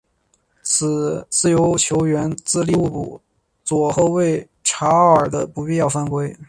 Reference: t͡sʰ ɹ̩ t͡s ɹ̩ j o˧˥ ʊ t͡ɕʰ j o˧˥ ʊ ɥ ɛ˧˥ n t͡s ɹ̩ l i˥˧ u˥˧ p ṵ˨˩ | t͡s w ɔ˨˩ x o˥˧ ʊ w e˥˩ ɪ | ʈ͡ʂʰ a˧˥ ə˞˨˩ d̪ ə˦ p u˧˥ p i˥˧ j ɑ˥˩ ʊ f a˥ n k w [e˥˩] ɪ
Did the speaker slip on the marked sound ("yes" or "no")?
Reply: yes